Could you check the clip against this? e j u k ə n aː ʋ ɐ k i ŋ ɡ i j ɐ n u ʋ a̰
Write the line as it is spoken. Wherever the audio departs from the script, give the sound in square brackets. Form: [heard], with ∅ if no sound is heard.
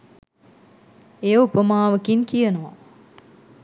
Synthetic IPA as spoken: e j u [p] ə [m] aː ʋ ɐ k i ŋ [k] i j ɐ n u ʋ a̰

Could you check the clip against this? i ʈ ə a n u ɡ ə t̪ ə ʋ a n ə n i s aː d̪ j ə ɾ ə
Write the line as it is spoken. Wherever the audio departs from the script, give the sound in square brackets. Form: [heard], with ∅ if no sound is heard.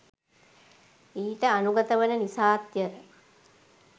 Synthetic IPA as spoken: [iː] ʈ ə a n u ɡ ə t̪ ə ʋ [ə] n ə n i s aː [t̪] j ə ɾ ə

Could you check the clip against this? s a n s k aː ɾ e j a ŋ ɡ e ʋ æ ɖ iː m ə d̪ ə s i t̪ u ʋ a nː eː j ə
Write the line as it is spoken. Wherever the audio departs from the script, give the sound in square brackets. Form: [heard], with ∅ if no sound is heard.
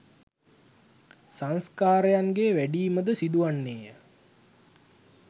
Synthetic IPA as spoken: s a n s k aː ɾ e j a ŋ ɡ e ʋ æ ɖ iː m ə d̪ ə s i [d̪] u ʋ a nː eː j ə

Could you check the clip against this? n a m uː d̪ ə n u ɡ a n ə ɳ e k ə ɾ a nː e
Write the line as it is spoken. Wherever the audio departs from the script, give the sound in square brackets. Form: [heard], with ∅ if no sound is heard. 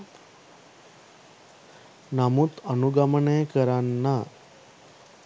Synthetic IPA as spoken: n a m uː [t̪] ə n u ɡ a [m] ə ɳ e k ə ɾ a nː [a]

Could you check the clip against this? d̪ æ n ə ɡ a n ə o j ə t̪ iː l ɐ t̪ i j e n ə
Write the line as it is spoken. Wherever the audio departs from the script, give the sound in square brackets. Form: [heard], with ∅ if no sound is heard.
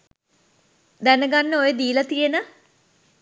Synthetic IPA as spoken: d̪ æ n ə ɡ a [nː] ə o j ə [d̪] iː l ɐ t̪ i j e n ə

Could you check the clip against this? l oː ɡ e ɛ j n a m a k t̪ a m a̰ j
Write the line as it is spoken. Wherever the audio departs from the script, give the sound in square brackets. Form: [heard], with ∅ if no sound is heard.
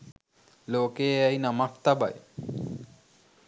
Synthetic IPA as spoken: l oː [k] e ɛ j n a m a k t̪ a [b] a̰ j

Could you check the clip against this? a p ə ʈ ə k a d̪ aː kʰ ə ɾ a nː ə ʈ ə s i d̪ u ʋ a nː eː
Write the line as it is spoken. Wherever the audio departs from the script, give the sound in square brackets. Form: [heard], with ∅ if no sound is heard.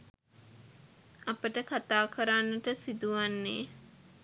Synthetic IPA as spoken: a p ə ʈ ə k a [t̪] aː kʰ ə ɾ a nː ə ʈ ə s i d̪ u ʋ a nː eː

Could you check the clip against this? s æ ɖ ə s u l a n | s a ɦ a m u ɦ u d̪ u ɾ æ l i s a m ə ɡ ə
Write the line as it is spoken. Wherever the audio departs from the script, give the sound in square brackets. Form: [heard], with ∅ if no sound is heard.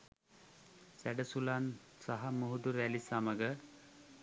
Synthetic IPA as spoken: s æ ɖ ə s u l a n | s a ɦ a m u ɦ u d̪ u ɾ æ l i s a m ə ɡ ə

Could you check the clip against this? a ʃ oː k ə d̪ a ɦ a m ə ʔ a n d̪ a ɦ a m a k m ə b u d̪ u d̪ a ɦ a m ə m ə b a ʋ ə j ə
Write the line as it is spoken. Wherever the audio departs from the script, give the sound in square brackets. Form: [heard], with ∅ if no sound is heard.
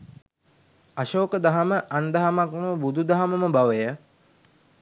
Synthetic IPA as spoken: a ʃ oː k ə d̪ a ɦ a m ə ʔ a n d̪ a ɦ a m a k m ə b u d̪ u d̪ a ɦ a m ə m ə b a ʋ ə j ə

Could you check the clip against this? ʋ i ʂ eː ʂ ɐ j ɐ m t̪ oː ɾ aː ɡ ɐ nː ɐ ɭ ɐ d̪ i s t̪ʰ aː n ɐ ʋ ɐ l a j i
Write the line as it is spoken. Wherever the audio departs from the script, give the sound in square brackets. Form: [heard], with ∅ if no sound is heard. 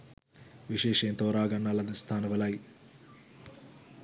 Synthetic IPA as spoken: ʋ i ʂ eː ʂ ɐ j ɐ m t̪ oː ɾ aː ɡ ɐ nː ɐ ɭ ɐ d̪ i s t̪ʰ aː n ɐ ʋ ɐ l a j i

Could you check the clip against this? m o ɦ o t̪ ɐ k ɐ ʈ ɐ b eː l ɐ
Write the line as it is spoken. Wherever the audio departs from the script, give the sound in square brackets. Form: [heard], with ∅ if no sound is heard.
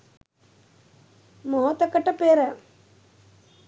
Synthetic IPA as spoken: m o ɦ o t̪ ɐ k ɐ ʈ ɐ [p] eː [ɾ] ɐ

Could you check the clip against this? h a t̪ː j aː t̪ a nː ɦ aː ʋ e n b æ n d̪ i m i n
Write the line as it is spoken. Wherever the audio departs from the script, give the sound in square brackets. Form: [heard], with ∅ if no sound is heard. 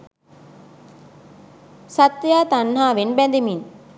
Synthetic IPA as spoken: [s] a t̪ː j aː t̪ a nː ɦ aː ʋ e n b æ n d̪ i m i n

